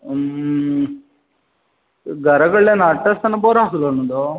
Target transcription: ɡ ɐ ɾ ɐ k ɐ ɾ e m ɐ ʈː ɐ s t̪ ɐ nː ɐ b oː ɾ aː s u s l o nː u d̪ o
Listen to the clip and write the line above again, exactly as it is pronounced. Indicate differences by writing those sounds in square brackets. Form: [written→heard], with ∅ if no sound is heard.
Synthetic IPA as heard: ɡ ɐ ɾ ɐ [k→ɡ] ɐ [ɾ→ɭ] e [m→n] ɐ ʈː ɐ s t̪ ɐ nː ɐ b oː ɾ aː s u [s→∅] l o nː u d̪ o